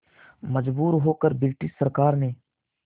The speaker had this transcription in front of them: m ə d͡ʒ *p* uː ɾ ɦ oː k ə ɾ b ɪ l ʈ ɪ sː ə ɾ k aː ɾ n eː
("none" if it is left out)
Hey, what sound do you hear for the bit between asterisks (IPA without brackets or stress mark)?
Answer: b